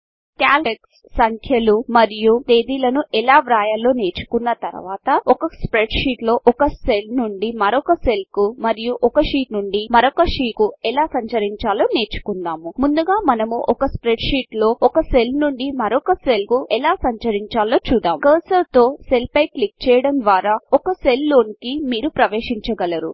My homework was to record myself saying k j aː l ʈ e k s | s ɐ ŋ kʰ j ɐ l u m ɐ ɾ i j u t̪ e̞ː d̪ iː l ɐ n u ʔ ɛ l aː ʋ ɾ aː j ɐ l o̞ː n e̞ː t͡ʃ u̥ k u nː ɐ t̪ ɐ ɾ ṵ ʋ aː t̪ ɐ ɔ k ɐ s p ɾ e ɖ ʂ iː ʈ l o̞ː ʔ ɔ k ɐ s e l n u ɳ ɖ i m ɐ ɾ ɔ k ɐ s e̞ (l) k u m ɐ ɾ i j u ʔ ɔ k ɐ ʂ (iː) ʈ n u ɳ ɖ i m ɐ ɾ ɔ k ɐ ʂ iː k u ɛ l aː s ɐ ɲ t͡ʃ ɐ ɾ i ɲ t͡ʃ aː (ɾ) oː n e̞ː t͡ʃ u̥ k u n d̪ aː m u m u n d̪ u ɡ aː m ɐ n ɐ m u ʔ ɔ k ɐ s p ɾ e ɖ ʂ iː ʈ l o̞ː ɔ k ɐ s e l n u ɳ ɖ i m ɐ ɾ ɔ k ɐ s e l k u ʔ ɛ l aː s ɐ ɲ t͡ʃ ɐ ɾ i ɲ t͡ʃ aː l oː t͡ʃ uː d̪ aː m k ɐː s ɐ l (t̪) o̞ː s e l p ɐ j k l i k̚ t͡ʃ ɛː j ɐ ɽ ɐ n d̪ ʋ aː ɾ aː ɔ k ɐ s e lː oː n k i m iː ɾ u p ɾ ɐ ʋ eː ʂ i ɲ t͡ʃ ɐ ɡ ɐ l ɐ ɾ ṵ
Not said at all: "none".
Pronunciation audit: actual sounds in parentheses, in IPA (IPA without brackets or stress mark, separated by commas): l, iː, l, t̪